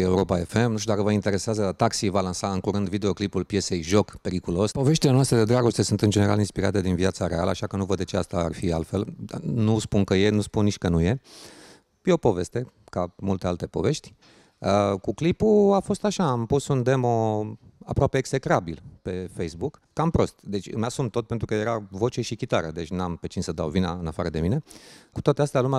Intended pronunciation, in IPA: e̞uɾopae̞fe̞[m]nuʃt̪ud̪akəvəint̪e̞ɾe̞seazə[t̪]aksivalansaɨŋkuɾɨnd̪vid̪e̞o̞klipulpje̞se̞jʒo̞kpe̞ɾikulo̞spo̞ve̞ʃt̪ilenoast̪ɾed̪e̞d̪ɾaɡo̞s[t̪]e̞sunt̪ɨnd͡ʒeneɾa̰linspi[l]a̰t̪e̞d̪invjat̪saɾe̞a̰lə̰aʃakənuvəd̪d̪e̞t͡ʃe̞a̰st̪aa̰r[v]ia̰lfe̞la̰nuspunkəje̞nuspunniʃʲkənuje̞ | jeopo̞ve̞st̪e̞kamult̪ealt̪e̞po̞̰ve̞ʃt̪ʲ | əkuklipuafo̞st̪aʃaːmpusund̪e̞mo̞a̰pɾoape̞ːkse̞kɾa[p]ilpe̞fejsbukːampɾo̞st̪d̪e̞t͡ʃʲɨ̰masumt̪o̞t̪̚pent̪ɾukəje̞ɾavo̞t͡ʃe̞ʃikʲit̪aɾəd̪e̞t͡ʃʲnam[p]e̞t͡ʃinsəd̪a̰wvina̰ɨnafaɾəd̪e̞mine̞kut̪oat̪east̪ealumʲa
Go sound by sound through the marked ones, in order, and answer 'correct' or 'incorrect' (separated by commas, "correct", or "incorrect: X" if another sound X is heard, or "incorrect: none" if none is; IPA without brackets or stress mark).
correct, correct, correct, incorrect: ɾ, incorrect: f, incorrect: b, correct